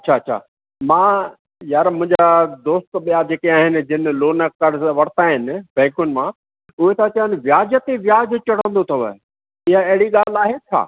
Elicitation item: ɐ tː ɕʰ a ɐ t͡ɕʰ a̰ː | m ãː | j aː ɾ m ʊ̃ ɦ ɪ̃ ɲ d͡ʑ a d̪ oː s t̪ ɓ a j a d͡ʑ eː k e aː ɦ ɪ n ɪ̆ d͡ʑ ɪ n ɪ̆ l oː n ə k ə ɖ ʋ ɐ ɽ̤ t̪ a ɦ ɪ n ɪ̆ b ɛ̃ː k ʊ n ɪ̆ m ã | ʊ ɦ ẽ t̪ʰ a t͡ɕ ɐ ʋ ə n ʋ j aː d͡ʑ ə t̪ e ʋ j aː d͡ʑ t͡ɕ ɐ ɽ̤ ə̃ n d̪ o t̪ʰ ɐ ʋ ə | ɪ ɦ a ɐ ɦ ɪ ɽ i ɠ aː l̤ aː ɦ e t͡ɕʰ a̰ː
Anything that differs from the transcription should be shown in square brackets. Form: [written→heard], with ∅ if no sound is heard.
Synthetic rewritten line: ɐ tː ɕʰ a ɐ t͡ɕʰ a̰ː | m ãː | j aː ɾ m ʊ̃ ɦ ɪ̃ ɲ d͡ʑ a d̪ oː s t̪ ɓ [a→i] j a d͡ʑ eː k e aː ɦ ɪ n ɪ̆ d͡ʑ ɪ n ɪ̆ l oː n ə k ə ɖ ʋ ɐ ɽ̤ t̪ a ɦ ɪ n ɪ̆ b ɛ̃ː k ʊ n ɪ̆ m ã | ʊ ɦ [ẽ→e] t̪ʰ a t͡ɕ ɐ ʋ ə n ʋ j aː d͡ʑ ə t̪ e ʋ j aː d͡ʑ t͡ɕ ɐ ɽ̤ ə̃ n d̪ o t̪ʰ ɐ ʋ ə | ɪ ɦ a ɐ ɦ ɪ ɽ i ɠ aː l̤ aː ɦ e t͡ɕʰ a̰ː